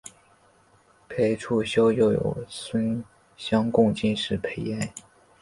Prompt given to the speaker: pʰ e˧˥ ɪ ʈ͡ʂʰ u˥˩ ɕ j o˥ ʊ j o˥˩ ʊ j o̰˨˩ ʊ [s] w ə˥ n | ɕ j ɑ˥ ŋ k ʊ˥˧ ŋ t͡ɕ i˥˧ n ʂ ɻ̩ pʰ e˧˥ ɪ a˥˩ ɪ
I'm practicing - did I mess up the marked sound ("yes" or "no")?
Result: no